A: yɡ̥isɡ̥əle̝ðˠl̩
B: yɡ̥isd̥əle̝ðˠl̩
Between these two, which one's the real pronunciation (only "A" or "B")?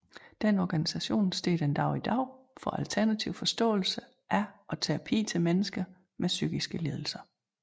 A